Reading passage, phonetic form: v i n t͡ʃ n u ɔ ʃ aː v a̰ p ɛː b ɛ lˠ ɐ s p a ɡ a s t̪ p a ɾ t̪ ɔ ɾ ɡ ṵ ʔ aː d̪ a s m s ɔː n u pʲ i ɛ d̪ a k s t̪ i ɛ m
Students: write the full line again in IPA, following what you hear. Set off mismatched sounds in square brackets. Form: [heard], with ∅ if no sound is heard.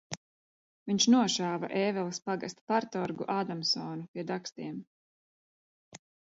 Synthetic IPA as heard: v i [ɲ] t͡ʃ n u ɔ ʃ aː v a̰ [ʔ] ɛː [v] ɛ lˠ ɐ s p a ɡ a s t̪ p a ɾ t̪ ɔ ɾ ɡ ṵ ʔ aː d̪ a [∅] m s ɔː n u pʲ i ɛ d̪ a k s t̪ i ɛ m